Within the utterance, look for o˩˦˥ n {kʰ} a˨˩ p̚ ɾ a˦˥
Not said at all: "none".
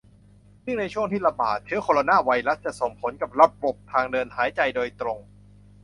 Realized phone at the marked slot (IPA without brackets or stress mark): k